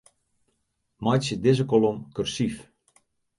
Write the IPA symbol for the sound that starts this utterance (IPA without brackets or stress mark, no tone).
m